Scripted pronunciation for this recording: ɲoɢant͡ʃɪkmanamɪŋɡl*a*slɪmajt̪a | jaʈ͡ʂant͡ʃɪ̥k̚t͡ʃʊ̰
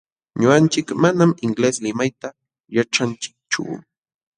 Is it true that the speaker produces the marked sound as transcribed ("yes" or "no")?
no